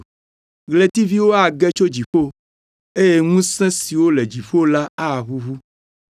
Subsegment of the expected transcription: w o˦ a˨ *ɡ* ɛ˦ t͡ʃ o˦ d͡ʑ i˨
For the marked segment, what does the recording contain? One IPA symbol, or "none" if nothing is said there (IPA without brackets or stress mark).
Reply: ɡ